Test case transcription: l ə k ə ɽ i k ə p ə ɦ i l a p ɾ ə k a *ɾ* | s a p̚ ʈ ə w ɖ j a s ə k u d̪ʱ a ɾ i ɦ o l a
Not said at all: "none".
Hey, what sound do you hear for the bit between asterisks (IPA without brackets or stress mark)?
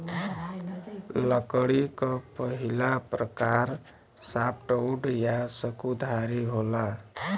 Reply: ɾ